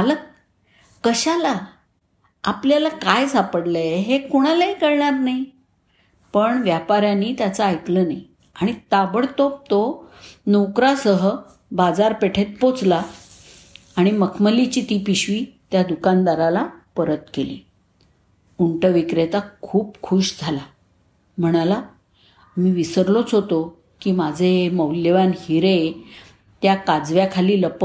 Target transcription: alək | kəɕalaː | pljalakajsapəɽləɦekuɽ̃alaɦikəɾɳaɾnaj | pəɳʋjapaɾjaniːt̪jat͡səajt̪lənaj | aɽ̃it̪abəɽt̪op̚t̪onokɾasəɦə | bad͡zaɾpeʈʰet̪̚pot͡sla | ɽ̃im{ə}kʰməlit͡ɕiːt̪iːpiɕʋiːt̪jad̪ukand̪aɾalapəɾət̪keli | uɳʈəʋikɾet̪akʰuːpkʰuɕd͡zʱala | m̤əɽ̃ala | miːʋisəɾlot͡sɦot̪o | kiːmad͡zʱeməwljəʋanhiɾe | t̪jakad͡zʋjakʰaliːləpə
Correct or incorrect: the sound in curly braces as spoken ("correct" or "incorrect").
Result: correct